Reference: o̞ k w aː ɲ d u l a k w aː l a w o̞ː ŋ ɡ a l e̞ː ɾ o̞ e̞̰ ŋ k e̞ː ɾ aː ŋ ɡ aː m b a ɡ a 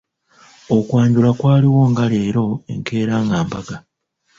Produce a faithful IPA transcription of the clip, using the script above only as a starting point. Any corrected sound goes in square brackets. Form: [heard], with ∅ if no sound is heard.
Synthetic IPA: o̞ k w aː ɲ [ɟ] u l a k w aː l [i] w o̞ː ŋ ɡ a l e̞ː ɾ o̞ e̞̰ ŋ k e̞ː ɾ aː ŋ ɡ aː m b a ɡ a